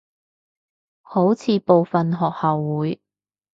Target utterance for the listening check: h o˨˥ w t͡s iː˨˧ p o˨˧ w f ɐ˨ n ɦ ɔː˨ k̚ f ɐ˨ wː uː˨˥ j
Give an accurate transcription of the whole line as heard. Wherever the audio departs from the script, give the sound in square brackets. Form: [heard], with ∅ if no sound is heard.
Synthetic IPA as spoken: h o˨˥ w [t͡sʰ] iː˨˧ p o˨˧ w f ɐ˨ n ɦ ɔː˨ k̚ [h] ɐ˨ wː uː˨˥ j